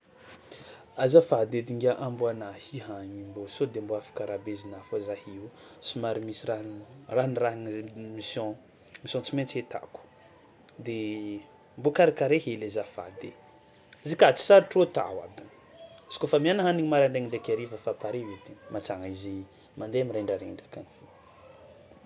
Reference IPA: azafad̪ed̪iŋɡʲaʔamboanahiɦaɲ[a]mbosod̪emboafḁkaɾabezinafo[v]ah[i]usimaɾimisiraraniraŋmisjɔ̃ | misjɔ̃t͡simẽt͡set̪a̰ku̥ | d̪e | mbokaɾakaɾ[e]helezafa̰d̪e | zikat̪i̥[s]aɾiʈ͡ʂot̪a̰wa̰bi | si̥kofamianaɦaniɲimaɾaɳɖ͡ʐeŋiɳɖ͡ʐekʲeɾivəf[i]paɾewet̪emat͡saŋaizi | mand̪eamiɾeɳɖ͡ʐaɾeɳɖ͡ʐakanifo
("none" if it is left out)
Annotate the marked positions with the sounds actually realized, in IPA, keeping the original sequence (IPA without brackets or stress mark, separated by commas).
i, z, i, e, s, a